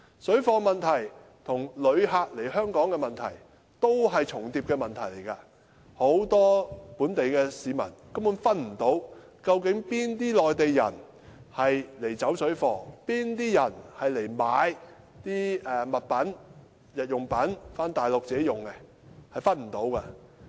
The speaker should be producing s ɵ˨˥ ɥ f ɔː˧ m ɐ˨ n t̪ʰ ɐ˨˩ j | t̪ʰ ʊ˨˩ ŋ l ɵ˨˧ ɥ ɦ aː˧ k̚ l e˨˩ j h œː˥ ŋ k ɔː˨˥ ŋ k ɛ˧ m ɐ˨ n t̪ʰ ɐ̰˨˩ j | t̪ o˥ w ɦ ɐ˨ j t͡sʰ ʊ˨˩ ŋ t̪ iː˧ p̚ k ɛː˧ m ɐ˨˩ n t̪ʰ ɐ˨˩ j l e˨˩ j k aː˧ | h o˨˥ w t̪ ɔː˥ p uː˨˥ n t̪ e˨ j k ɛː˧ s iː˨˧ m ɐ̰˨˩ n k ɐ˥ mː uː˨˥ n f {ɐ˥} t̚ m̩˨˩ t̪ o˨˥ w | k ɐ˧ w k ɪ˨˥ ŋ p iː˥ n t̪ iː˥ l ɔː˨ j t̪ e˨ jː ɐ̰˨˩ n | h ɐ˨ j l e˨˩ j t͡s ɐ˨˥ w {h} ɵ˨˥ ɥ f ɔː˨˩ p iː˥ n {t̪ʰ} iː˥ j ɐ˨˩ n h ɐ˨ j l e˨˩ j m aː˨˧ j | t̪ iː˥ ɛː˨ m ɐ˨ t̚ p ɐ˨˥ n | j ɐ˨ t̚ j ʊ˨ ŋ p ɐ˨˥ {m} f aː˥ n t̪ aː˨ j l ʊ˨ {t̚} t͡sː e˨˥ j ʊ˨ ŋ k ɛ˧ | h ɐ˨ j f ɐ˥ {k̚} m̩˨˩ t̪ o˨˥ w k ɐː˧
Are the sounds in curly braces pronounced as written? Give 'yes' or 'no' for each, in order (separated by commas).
yes, no, no, no, no, no